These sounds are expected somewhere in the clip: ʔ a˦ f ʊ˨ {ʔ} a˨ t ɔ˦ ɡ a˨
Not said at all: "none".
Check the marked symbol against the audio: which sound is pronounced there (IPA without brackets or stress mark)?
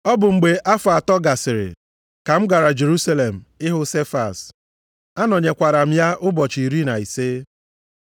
none